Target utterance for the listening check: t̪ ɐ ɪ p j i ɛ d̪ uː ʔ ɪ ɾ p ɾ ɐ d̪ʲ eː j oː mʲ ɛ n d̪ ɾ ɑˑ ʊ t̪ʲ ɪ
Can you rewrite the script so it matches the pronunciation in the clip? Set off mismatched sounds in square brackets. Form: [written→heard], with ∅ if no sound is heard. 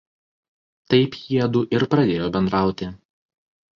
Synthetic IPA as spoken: t̪ ɐ ɪ p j i ɛ d̪ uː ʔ ɪ ɾ p ɾ ɐ d̪ʲ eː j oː [mʲ→bʲ] ɛ n d̪ ɾ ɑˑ ʊ t̪ʲ ɪ